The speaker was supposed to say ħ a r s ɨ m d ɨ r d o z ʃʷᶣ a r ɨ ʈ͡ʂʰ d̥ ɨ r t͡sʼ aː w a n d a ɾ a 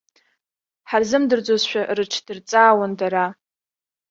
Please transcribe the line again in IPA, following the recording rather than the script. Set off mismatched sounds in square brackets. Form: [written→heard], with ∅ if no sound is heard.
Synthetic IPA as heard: ħ a r [s→z] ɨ m d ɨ r [d→d͡z] o z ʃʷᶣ a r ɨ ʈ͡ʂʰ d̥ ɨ r t͡sʼ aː w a n d a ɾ a

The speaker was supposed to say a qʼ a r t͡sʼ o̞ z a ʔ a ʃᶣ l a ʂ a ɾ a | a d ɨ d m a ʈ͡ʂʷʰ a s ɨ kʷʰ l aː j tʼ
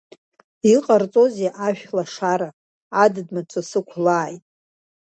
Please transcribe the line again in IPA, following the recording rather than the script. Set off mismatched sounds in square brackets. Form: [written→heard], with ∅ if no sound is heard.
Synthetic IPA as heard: [a→i] qʼ a r t͡sʼ o̞ z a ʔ a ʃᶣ l a ʂ a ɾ a | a d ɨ d m a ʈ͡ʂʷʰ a s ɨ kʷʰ l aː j tʼ

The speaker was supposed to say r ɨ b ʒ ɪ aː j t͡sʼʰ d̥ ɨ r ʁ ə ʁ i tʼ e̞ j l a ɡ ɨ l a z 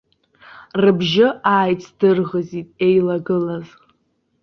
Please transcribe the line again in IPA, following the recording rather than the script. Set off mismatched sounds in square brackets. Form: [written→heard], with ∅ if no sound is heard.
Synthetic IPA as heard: r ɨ b ʒ ɪ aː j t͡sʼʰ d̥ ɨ r ʁ ə [ʁ→z] i tʼ e̞ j l a ɡ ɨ l a z

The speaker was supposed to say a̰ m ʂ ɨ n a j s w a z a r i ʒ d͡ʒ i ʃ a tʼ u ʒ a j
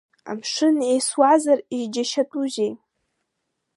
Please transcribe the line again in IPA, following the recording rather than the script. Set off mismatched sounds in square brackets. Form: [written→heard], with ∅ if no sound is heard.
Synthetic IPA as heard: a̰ m ʂ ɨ n [a→e] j s w a z a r i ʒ d͡ʒ [i→a] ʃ a tʼ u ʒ [a→e] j

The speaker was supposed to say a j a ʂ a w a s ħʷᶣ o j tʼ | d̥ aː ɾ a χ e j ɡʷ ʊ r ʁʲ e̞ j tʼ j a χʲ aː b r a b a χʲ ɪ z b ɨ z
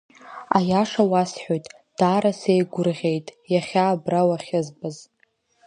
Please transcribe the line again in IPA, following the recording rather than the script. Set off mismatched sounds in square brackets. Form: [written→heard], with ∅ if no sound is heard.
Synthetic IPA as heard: a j a ʂ a w a s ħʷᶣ o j tʼ | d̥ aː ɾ a [χ→s] e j ɡʷ ʊ r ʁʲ e̞ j tʼ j a χʲ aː b r a [b→w] a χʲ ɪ z b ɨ z

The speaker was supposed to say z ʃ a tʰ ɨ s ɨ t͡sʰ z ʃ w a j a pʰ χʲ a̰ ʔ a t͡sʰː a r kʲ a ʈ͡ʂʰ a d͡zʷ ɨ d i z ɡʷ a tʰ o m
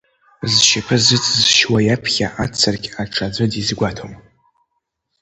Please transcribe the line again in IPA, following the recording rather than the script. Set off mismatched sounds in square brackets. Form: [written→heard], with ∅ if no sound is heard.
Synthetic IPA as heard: z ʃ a [tʰ→pʰ] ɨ [s→z] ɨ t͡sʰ z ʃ w a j a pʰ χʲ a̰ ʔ a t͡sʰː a r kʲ a ʈ͡ʂʰ a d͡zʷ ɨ d i z ɡʷ a tʰ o m

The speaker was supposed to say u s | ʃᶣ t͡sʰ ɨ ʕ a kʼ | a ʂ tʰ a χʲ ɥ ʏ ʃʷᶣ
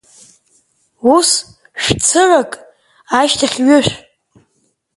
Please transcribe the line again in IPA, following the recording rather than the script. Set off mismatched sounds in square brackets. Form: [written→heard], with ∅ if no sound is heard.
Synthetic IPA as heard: u s | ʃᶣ t͡sʰ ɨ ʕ a kʼ | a [ʂ→ʃ] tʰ a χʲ ɥ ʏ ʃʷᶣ

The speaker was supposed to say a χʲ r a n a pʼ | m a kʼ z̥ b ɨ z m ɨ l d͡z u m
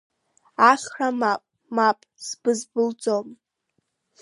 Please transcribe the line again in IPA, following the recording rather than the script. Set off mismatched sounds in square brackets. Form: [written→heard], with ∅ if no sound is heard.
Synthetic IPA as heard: a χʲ r a [n→m] a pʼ | m a [kʼ→pʼ] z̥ b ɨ z [m→b] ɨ l d͡z [u→o] m

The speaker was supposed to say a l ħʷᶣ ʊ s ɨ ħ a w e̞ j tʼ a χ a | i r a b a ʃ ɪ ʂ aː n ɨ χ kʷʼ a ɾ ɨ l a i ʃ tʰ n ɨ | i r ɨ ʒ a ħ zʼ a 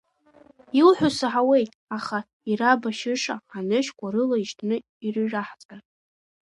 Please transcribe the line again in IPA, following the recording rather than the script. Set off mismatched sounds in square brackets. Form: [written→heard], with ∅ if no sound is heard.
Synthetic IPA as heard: [a→i] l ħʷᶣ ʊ s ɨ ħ a w e̞ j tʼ a χ a | i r a b a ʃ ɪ ʂ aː n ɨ [χ→ʃ] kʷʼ a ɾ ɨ l a i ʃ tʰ n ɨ | i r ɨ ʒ a ħ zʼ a

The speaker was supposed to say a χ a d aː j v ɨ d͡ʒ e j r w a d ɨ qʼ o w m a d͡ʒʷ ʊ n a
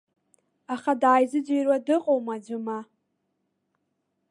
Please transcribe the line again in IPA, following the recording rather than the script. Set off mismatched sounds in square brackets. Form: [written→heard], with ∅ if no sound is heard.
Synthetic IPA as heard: a χ a d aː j [v→z] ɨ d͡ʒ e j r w a d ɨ qʼ o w m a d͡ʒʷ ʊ [n→m] a

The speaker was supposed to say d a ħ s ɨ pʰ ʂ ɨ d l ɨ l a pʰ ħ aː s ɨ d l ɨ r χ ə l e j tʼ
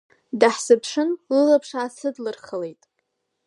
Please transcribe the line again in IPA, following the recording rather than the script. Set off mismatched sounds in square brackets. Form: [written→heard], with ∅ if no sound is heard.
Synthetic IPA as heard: d a ħ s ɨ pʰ ʂ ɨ [d→n] l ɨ l a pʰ [ħ→ʂ] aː s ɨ d l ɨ r χ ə l e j tʼ

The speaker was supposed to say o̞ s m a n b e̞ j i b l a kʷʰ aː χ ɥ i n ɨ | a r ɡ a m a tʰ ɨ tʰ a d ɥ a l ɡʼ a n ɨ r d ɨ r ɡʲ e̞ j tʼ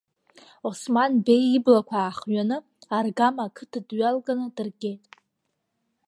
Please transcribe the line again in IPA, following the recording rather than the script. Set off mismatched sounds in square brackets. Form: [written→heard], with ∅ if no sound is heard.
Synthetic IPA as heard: o̞ s m a n b e̞ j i b l a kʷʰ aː χ ɥ [i→a] n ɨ | a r ɡ a m a [tʰ→kʰ] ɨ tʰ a d ɥ a l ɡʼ a n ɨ [r→∅] d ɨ r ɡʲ e̞ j tʼ

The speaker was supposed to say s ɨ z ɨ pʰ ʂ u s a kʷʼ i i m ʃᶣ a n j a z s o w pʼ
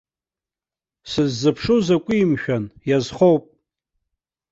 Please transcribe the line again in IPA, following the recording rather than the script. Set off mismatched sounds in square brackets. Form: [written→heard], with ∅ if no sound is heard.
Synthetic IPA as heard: s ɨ [z→zː] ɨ pʰ ʂ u [s→z] a kʷʼ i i m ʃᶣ a n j a z [s→χ] o w pʼ

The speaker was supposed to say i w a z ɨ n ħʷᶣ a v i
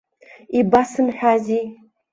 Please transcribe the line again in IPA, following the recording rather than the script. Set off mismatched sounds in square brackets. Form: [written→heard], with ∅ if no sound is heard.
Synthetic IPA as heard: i [w→b] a [z→s] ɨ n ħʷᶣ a [v→z] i

